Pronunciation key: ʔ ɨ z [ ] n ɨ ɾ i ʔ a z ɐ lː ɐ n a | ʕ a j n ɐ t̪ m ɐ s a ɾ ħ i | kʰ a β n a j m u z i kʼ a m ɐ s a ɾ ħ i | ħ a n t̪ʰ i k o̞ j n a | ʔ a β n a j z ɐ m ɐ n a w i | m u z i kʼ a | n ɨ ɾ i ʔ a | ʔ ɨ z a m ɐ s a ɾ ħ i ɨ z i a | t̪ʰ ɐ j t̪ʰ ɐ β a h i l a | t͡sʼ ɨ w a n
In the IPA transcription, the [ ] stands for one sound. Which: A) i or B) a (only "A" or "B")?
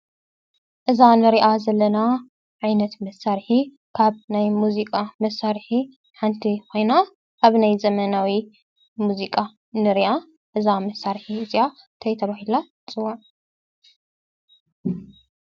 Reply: B